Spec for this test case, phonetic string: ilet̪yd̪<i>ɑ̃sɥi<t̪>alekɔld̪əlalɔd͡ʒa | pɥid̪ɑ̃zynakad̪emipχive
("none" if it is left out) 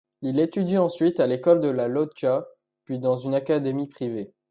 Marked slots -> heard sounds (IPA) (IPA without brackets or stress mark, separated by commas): i, t̪